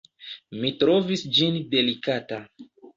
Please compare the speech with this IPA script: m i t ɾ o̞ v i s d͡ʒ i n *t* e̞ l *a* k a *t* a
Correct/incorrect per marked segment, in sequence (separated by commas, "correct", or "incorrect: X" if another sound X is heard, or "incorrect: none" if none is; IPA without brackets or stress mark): incorrect: d, incorrect: i, correct